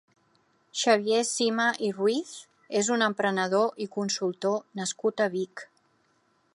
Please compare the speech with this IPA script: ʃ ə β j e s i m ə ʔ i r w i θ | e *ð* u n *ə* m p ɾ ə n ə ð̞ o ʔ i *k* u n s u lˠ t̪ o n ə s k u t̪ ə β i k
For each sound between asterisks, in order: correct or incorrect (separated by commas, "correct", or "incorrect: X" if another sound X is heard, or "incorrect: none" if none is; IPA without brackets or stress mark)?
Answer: incorrect: z, correct, correct